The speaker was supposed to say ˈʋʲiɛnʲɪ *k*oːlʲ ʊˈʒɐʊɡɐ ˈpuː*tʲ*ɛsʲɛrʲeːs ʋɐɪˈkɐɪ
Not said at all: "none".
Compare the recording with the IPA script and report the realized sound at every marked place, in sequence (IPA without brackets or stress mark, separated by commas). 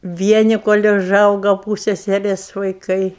k, sʲ